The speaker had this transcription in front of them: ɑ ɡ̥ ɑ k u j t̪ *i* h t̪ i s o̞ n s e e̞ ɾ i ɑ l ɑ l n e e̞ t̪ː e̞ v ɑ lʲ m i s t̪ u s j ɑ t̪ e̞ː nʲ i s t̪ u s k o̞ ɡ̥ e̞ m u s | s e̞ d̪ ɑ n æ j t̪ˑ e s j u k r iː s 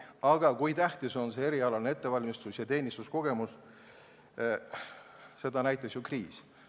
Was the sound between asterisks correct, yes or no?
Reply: no